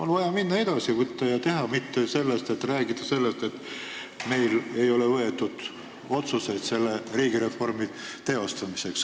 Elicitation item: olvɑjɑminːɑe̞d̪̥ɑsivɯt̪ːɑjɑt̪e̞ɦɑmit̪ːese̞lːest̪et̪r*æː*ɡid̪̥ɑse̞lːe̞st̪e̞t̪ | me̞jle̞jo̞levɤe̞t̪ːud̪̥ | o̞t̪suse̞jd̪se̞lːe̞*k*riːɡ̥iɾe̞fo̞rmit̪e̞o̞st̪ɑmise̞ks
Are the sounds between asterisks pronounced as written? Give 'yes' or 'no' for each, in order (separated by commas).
yes, no